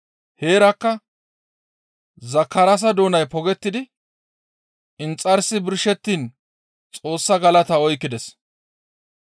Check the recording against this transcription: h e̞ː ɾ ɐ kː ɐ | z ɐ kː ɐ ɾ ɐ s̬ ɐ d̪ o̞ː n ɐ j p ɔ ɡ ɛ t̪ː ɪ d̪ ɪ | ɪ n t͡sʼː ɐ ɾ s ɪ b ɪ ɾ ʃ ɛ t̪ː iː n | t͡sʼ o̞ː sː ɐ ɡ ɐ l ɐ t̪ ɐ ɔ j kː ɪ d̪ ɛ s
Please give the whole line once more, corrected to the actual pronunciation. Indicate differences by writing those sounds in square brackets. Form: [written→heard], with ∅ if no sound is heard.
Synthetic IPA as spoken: h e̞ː ɾ ɐ kː ɐ | z ɐ kː ɐ ɾ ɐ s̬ ɐ d̪ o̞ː n ɐ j p ɔ ɡ ɛ t̪ː ɪ d̪ ɪ | ɪ n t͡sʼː ɐ ɾ s ɪ b ɪ ɾ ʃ ɛ t̪ː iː n | t͡sʼ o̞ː sː ɐ ɡ ɐ l ɐ t̪ ɐ ɔ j kː ɪ d̪ ɛ s